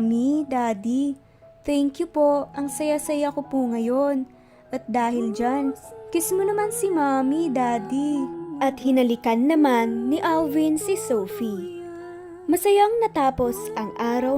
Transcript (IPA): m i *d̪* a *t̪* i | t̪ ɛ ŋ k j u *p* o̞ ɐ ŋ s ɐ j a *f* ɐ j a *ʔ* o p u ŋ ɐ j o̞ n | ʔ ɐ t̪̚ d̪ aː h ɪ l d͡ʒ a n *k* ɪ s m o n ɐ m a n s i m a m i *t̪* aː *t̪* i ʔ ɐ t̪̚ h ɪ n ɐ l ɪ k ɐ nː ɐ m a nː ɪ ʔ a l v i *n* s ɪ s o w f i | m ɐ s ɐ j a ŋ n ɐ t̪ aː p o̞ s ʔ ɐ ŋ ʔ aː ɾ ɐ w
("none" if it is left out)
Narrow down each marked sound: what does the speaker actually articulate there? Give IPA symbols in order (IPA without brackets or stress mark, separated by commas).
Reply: d̪, d̪, p, s, k, k, d̪, d̪, n